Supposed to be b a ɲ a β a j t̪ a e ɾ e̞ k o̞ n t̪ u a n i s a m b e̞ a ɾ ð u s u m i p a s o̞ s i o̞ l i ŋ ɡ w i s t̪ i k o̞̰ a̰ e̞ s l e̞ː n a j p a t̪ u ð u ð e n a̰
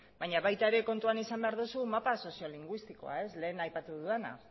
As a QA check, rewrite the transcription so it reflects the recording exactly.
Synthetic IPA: b a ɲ a β a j t̪ a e ɾ e̞ k o̞ n t̪ u a n i s a m b e̞ a ɾ ð u s u m a p a s o̞ s i o̞ l i ŋ ɡ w i s t̪ i k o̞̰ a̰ e̞ s l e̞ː n a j p a t̪ u ð u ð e n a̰